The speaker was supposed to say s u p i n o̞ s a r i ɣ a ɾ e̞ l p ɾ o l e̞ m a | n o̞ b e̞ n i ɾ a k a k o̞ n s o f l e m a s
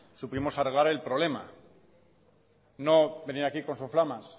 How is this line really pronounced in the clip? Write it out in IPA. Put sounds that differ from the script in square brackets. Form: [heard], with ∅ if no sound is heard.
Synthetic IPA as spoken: s u p i [m] o̞ s a r [e] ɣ a ɾ e̞ l p ɾ o l e̞ m a | n o̞ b e̞ n i ɾ a k [i] k o̞ n s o f l [a] m a s